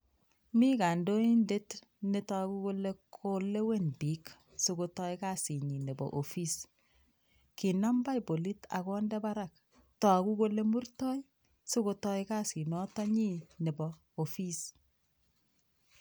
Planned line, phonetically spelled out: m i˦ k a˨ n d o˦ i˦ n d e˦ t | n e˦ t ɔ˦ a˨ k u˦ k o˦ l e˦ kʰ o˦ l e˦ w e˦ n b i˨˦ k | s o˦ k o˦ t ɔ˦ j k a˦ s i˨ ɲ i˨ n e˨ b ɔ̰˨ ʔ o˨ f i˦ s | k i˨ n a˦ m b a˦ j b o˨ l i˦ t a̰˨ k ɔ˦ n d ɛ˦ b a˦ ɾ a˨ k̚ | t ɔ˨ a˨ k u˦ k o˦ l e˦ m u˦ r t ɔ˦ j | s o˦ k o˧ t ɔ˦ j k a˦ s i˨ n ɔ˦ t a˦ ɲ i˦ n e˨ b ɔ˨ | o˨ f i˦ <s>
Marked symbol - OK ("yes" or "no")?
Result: yes